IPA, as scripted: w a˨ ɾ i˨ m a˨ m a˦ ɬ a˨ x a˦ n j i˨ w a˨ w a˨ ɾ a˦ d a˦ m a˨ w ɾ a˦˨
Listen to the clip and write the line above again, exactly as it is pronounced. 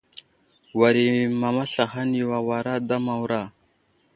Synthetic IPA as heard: w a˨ ɾ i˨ m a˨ m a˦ ɬ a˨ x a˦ n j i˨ w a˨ w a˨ ɾ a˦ d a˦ m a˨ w ɾ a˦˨